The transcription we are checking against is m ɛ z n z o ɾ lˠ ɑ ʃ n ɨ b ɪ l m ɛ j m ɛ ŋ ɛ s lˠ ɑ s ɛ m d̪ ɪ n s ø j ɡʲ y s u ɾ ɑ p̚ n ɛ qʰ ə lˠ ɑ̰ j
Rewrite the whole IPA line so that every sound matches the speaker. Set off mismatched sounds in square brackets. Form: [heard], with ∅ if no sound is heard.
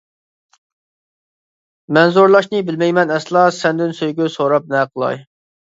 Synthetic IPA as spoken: m ɛ [∅] n z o ɾ lˠ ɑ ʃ n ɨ b ɪ l m ɛ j m ɛ [n] ɛ s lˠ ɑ s ɛ [n] d̪ ɪ n s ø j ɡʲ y s [o] ɾ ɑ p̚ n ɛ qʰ ə lˠ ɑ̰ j